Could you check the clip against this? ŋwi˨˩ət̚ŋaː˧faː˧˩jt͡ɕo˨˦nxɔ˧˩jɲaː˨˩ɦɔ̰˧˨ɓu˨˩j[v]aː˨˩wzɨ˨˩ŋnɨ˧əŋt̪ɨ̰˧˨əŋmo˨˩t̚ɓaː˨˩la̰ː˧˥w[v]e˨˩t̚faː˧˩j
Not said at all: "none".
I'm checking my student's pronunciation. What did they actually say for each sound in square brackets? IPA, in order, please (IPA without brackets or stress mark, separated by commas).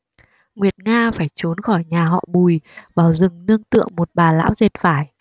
v, z